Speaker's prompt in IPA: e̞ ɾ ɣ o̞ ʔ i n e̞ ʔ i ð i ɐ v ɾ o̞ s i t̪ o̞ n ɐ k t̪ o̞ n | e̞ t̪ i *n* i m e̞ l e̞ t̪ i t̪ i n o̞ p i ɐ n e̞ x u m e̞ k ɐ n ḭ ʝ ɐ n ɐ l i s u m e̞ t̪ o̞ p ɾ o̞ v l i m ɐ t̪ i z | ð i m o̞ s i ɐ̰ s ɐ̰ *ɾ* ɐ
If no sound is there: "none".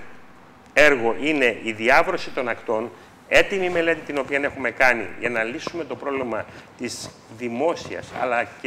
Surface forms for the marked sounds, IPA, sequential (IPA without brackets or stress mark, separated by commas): m, l